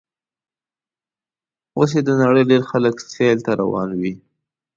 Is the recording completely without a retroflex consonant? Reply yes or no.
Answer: no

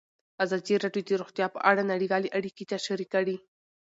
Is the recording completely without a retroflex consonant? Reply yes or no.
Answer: no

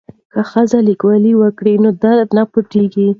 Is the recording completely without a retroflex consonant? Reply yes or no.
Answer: no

